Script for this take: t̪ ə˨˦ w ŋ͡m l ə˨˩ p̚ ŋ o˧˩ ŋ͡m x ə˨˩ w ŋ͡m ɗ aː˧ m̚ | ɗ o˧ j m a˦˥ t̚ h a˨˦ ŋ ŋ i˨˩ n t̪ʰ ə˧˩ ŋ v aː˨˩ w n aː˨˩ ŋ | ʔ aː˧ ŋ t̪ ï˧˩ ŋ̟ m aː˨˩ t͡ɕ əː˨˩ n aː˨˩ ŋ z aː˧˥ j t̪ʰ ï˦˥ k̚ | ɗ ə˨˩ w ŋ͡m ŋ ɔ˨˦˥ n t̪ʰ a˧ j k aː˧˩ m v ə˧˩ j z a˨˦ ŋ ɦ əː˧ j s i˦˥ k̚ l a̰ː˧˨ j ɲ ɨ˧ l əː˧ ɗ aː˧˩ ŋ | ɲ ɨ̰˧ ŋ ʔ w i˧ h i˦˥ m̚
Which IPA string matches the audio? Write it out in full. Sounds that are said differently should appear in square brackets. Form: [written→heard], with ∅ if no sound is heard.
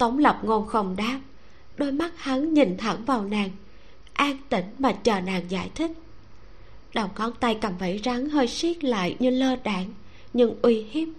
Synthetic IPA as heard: t̪ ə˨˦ w ŋ͡m l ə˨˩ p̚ ŋ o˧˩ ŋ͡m x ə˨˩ w ŋ͡m ɗ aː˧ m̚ | ɗ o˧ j m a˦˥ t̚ h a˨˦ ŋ [ŋ→ɲ] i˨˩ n t̪ʰ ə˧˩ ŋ v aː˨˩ w n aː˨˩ ŋ | ʔ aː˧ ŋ t̪ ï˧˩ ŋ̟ m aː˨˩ t͡ɕ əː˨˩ n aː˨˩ ŋ z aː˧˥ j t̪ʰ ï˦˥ k̚ | ɗ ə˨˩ w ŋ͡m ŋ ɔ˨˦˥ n [t̪ʰ→t̪] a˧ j k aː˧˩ m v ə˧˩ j z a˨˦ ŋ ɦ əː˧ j s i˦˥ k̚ l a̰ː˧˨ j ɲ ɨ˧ l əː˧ ɗ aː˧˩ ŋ | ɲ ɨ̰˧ ŋ ʔ w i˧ h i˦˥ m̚